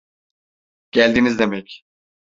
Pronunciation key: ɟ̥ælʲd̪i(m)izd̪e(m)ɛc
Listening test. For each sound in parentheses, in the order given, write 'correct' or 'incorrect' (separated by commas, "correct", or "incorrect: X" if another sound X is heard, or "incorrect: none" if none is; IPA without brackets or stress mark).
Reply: incorrect: n, correct